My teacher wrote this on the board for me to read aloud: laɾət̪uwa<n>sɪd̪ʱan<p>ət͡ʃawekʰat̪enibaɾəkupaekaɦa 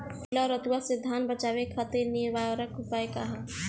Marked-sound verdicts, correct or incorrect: incorrect, incorrect

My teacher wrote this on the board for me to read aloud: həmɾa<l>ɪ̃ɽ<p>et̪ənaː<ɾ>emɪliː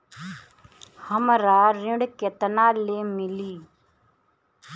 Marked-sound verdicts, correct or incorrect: incorrect, incorrect, incorrect

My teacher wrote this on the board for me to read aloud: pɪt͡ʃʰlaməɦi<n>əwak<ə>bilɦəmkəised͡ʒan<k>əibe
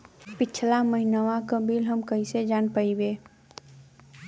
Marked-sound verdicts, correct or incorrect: correct, correct, incorrect

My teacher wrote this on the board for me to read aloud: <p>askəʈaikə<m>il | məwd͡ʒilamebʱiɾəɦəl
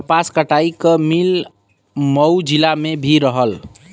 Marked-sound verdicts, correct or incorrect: correct, correct

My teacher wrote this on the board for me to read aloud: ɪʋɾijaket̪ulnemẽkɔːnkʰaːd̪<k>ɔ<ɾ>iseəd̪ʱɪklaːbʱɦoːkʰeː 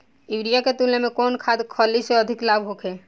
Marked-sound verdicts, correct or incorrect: incorrect, incorrect

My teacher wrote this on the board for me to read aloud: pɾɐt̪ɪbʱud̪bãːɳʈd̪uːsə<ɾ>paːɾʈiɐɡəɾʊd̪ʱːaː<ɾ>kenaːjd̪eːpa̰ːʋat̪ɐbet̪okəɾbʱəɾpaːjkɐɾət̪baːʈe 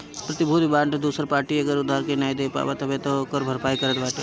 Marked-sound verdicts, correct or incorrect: correct, correct

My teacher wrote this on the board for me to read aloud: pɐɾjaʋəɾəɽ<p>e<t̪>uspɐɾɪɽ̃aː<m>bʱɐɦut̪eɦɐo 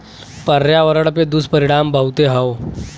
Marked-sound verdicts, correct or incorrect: correct, incorrect, correct

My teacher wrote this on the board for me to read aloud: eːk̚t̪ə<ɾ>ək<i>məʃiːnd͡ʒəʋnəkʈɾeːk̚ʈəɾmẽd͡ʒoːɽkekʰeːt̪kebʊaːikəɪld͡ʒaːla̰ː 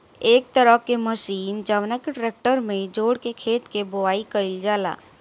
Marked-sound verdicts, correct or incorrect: correct, incorrect

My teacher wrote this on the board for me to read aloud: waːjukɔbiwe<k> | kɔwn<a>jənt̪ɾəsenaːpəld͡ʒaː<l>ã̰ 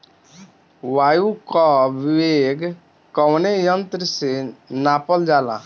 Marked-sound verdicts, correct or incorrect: incorrect, incorrect, correct

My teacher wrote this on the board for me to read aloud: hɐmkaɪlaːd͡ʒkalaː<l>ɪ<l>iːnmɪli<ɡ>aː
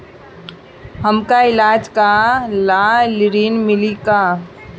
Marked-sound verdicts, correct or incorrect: correct, incorrect, incorrect

